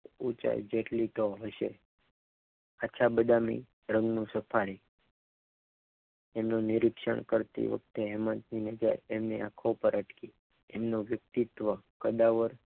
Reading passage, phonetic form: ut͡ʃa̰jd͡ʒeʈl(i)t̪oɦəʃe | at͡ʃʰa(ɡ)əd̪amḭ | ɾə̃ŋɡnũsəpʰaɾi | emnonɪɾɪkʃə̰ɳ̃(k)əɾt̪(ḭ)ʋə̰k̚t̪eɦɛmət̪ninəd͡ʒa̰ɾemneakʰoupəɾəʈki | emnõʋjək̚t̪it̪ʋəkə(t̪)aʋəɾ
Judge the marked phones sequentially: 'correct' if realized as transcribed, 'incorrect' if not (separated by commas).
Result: correct, incorrect, correct, correct, incorrect